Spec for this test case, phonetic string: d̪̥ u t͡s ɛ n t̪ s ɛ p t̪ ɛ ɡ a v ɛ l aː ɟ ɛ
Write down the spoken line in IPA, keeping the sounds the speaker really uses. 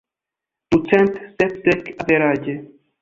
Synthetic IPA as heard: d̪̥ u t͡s ɛ n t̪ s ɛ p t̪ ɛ k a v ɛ ɾ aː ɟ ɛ